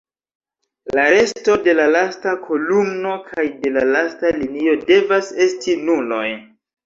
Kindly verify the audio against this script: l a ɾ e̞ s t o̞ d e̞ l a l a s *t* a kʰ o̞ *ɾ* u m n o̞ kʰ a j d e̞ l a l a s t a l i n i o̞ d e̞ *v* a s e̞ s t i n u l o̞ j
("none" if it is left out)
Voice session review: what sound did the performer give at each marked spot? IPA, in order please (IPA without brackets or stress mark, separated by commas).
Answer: t, l, v